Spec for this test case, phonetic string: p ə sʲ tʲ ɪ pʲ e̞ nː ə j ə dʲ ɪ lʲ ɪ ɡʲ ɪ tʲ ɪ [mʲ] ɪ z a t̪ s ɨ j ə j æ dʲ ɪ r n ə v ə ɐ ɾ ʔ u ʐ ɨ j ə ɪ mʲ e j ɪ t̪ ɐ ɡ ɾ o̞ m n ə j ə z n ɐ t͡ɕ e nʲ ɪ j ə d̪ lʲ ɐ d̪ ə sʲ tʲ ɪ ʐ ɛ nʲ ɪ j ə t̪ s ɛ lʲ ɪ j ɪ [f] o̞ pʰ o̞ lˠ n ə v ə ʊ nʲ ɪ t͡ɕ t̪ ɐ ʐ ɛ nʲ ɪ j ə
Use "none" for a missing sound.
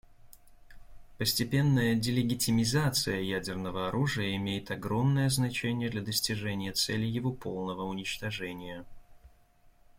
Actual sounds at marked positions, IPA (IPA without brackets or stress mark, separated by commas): mʲ, v